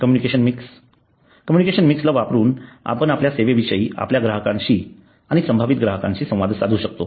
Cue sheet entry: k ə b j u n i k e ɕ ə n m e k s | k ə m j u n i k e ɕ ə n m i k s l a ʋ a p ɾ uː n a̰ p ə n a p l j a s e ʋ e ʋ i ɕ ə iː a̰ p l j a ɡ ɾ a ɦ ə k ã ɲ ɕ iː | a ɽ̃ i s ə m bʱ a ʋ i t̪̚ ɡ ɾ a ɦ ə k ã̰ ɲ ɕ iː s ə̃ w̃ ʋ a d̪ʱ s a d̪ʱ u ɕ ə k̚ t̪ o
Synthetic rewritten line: k ə m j u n i k e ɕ ə n m i k s | k ə m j u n i k e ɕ ə n m i k s l a ʋ a p ɾ uː n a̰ p ə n a p l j a s e ʋ e ʋ i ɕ ə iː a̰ p l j a ɡ ɾ a ɦ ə k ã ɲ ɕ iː | a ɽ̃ i s ə m bʱ a ʋ i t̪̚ ɡ ɾ a ɦ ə k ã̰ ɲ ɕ iː s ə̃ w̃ ʋ a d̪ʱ s a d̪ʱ u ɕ ə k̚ t̪ o